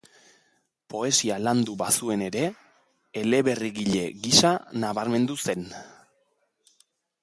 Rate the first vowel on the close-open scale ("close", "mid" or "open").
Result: mid